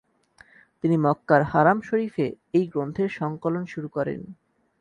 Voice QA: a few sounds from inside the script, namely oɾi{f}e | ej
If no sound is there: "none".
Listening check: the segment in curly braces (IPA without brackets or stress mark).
f